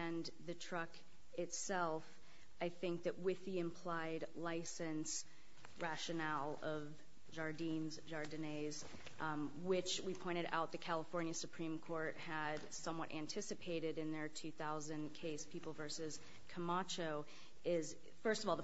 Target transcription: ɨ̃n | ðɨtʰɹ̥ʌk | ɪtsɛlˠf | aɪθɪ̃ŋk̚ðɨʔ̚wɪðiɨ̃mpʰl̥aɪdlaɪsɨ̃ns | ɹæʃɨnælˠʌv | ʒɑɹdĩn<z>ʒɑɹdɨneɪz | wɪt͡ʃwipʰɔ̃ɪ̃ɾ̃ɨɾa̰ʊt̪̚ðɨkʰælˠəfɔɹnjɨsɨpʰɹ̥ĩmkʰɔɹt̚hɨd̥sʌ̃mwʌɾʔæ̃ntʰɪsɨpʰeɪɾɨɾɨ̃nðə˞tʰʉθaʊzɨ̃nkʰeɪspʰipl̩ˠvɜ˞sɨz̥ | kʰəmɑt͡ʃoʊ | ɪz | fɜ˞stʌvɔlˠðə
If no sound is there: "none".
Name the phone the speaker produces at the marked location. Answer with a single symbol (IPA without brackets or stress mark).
z